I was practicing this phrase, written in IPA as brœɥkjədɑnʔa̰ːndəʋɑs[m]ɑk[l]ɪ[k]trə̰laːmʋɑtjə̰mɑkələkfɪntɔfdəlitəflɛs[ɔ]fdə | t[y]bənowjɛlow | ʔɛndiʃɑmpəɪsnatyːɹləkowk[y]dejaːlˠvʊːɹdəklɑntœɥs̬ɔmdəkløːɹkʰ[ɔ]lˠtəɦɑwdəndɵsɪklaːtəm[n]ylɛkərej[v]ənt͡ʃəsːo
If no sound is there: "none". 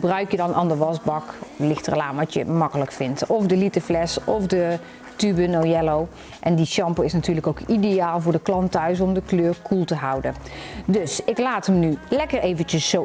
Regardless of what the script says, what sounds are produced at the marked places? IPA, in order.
b, l, x, ɔ, y, i, u, n, v

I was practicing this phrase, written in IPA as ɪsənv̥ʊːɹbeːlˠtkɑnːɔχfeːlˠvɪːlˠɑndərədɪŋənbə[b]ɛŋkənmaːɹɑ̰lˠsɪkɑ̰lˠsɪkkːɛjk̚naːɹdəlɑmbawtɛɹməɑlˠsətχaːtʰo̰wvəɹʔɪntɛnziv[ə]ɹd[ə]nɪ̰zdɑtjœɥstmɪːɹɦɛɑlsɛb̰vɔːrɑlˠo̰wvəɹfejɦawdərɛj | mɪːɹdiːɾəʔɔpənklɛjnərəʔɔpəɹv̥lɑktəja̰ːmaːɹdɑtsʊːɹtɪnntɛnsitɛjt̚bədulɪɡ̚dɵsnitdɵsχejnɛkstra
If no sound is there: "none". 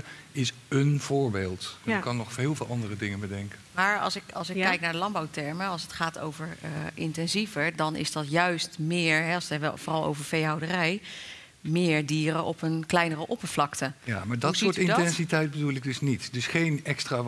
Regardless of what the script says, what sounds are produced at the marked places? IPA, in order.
d, ə, ɑ

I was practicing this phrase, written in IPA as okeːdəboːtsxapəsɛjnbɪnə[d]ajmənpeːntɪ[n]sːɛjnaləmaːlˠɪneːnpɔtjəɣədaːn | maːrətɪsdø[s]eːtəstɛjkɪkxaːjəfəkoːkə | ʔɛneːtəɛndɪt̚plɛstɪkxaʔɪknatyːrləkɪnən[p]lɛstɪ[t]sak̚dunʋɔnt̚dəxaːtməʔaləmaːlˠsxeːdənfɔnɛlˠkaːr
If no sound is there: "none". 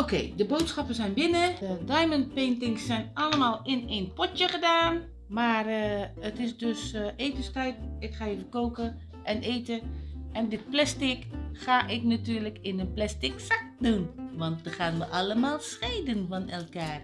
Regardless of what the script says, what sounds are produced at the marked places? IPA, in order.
d, ŋ, s, p, k

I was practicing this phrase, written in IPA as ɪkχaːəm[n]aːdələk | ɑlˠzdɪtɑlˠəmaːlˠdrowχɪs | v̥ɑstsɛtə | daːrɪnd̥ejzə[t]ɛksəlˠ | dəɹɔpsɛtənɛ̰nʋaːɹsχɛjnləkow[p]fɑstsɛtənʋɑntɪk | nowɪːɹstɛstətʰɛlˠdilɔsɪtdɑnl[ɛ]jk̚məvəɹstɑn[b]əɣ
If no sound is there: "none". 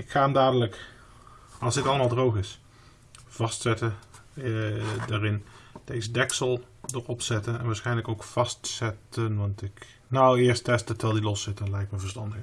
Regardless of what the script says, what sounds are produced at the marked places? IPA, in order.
d, d, k, ɛ, d

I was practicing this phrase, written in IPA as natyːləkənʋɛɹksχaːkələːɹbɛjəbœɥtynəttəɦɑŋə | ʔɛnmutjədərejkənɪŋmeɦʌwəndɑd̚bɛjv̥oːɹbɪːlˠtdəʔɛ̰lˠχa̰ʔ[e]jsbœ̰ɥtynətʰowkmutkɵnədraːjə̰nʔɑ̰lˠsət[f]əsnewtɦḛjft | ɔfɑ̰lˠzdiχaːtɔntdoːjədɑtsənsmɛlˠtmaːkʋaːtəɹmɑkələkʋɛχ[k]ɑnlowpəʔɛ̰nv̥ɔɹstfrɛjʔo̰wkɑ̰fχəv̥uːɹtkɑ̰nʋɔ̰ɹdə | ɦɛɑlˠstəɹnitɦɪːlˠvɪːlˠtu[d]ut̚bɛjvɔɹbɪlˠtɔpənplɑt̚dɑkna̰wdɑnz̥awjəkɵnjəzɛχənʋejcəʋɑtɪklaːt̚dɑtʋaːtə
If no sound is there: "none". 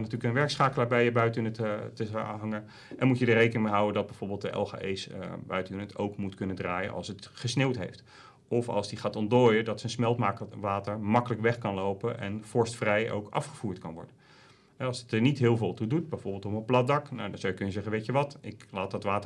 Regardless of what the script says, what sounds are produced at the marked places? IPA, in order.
e, χ, k, d

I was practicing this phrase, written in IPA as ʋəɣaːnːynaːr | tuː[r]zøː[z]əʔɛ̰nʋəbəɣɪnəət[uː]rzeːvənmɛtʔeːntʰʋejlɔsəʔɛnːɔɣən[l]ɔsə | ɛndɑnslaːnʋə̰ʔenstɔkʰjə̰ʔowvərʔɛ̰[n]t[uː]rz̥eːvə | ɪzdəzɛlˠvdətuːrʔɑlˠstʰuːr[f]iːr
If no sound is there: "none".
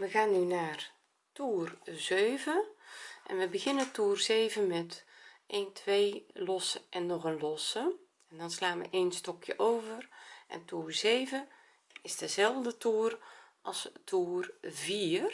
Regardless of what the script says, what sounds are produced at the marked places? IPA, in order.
r, v, uː, l, n, uː, v

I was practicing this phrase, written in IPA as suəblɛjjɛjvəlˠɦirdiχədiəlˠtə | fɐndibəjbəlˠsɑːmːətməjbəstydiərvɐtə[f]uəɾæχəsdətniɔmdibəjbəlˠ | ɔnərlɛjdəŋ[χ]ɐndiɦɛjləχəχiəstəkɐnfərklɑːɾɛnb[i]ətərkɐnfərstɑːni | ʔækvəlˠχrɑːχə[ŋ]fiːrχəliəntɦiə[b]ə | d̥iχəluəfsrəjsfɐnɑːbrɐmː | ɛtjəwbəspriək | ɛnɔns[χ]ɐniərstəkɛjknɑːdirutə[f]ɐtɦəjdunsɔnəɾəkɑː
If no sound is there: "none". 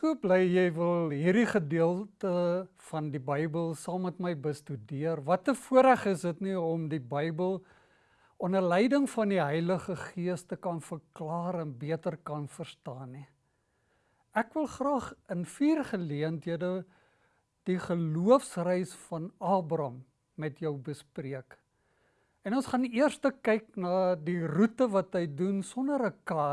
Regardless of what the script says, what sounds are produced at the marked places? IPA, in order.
f, f, i, n, d, χ, v

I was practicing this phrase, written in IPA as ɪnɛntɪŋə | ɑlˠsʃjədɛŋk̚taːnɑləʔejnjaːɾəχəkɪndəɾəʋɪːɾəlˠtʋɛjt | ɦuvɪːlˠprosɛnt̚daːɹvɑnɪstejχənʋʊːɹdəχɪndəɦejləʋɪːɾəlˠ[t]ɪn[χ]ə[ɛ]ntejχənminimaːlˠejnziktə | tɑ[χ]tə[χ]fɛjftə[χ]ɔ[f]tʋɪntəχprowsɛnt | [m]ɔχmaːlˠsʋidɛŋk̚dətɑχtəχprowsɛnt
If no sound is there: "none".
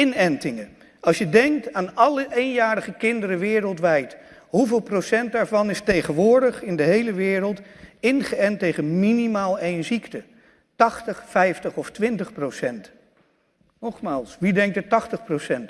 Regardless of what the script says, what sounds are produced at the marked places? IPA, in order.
t, χ, ɛ, χ, χ, χ, f, n

